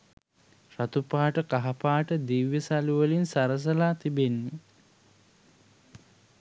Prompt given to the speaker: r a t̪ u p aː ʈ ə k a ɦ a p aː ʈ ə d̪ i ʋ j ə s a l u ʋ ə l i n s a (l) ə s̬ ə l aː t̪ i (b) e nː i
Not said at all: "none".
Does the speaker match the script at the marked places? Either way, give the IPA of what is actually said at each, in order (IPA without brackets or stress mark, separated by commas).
ɾ, b